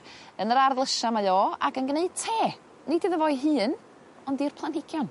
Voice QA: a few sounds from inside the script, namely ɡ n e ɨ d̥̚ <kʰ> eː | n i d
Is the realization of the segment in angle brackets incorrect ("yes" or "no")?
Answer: yes